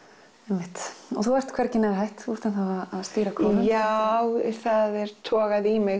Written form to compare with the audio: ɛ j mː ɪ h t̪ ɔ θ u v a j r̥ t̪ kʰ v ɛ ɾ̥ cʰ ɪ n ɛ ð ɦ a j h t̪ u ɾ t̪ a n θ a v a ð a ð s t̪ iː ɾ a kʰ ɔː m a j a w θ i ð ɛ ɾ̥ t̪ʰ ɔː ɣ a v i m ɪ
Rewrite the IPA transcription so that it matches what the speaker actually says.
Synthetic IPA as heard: ɛ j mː ɪ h t̪ ɔ θ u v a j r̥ t̪ kʰ v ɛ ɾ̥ c ɪ n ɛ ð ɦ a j h t̪ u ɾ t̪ a n θ a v a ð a ð s t̪ iː ɾ a kʰ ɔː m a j a w θ a ð ɛ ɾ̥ t̪ʰ ɔː ɣ a ð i m ɪ

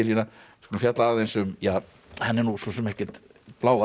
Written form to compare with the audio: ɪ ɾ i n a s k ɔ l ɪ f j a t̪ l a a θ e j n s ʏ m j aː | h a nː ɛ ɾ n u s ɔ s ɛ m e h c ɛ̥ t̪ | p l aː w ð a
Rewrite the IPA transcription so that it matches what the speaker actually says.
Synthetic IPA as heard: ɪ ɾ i n a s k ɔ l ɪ f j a t̪ l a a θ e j n s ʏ m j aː | h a nː ɛ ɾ n u s ɔ s ɛ m ɛ h c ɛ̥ t̪ | p l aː w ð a

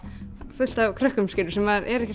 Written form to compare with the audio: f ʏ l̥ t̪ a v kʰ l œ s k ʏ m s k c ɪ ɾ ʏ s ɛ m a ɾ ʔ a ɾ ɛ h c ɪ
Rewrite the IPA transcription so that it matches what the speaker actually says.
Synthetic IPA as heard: f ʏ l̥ t̪ a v kʰ ɾ œ h k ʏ m s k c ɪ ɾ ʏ s ɛ m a ɾ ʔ ɛ ɾ ɛ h c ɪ

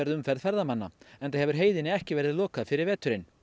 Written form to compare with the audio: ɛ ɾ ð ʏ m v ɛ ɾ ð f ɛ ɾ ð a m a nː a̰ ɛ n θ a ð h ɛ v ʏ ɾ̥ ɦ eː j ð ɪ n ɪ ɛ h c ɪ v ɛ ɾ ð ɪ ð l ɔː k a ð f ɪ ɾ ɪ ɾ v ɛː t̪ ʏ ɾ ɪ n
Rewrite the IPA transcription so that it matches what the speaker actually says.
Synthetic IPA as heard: ɛ ɾ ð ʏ m f ɛ ɾ ð f ɛ ɾ ð a m a nː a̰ ɛ n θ a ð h ɛ v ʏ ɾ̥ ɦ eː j ð ɪ n ɪ ɛ h c ɪ v ɛ ɾ ð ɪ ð l ɔː k a ð f ɪ ɾ ɪ ɾ v ɛː t̪ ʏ ɾ ɪ n

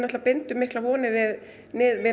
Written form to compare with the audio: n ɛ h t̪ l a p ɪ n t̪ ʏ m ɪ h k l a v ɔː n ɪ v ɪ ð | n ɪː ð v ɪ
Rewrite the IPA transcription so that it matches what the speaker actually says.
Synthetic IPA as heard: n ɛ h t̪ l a p ɪ n t̪ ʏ m ɪ h k l a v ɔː n ɪ v ɪ ð | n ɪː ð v ɪ

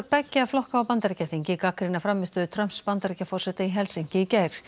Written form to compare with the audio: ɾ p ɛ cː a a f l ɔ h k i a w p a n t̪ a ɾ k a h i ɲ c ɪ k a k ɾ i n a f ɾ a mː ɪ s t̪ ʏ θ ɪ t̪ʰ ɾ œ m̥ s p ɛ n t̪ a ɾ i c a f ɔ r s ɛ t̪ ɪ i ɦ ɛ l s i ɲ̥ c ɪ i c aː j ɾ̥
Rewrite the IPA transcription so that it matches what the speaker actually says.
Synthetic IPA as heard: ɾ p ɛ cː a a f l ɔ h k a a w p a n t̪ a ɾ c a θ i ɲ c ɪ k a k ɾ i n a f ɾ a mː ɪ s t̪ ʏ ð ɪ t̪ʰ ɾ œ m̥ s p a n t̪ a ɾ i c a f ɔ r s ɛ t̪ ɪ i ɦ ɛ l s i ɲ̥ c ɪ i c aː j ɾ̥

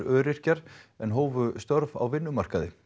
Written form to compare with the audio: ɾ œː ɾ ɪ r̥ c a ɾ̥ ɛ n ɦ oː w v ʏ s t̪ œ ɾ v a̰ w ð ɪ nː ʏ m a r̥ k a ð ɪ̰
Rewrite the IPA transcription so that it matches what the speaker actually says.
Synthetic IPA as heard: ɾ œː ɾ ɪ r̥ c a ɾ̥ ɛ n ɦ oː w v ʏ s t̪ œ ɾ v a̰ w v ɪ nː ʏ m a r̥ k a ð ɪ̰

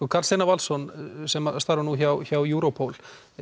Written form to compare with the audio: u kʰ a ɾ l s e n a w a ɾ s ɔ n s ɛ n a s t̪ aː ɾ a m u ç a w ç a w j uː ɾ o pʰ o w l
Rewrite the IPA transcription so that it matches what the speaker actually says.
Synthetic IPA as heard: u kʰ a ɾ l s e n a v a l s ɔ n s ɛ m a s t̪ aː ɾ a n u ç a w ç a w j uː ɾ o pʰ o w l

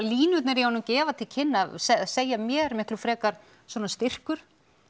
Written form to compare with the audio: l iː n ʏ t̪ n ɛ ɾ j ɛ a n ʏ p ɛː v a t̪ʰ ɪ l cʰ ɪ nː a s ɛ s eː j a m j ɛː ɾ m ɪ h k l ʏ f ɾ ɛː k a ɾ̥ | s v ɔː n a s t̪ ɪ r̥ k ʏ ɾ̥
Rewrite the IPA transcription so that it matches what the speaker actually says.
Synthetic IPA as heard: l iː n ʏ t̪ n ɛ ɾ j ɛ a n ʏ c ɛː v a t̪ʰ ɪ l cʰ ɪ nː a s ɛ s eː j a m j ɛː ɾ m ɪ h k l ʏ f ɾ ɛː k a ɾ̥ | s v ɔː n a s t̪ ɪ r̥ k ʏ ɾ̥

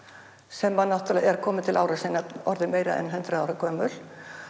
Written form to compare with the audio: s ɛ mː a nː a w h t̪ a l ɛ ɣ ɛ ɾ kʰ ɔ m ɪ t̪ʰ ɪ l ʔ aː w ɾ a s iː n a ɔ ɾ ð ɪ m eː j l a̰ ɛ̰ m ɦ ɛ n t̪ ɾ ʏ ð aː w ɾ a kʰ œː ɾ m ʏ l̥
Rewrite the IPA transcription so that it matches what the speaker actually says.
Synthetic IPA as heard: s ɛ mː a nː a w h t̪ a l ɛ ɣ ɛ ɾ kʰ ɔː m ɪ t̪ʰ ɪ l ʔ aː w ɾ a s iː n a ɔ ɾ ð ɪ m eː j ɾ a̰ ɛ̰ n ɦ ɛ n t̪ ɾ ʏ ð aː w ɾ a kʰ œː m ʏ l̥

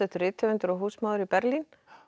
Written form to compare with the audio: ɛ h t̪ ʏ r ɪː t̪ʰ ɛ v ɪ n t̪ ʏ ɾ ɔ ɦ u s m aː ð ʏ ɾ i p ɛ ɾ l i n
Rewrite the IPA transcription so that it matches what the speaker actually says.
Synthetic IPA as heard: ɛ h t̪ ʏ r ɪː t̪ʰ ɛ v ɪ n t̪ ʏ ɾ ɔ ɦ uː s m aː ð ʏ ɾ i p ɛ ɾ l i n

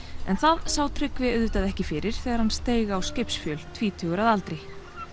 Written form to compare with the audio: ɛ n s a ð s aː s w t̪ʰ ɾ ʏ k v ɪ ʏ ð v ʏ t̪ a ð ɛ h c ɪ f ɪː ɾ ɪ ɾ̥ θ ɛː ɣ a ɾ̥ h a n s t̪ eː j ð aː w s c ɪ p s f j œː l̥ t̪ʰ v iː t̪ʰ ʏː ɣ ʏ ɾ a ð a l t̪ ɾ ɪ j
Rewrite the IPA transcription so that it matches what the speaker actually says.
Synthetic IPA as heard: ɛ n θ a ð s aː w t̪ʰ ɾ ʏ k v ɪ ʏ ð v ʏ t̪ a ð ɛ h c ɪ f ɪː ɾ ɪ ɾ̥ θ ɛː ɣ a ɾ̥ h a n s t̪ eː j ɣ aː w s c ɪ p s f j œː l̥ t̪ʰ v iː t̪ʰ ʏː ɣ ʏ ɾ a ð a l t̪ ɾ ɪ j

